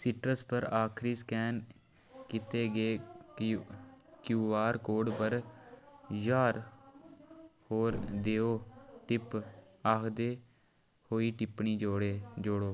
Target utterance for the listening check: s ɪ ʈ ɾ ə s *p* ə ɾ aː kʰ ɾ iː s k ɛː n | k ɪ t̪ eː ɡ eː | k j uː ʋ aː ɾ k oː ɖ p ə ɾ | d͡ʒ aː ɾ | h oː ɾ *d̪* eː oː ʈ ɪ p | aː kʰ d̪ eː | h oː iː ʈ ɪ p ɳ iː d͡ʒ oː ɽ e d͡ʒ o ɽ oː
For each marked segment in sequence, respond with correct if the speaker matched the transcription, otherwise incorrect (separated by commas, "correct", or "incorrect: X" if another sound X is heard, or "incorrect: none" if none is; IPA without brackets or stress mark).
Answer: correct, correct